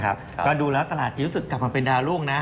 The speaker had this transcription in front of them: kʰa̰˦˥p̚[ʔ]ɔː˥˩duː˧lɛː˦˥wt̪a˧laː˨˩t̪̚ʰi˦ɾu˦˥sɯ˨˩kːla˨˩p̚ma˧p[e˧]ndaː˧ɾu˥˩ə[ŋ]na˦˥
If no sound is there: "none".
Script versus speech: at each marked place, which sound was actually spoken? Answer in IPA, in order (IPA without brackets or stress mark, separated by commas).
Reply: k, e˧, ŋ